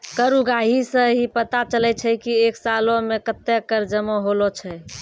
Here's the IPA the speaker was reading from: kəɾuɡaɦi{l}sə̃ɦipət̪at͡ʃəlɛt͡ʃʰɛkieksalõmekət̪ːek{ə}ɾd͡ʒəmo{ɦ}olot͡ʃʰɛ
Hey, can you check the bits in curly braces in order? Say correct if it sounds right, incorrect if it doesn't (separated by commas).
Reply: incorrect, correct, correct